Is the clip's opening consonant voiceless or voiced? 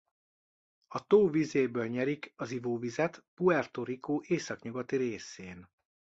voiceless